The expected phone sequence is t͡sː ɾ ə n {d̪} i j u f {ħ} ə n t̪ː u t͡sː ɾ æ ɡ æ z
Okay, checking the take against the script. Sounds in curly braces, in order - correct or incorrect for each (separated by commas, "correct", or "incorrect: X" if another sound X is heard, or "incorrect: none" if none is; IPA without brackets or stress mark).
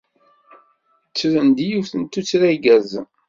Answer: correct, incorrect: θ